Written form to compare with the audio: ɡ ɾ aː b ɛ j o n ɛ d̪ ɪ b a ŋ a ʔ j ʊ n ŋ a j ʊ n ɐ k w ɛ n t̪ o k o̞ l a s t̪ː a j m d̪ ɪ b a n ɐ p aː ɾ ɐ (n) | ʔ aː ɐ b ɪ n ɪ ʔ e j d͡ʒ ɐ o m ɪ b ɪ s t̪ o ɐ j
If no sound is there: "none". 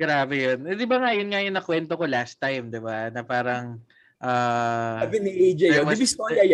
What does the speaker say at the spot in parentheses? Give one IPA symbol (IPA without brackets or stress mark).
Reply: ŋ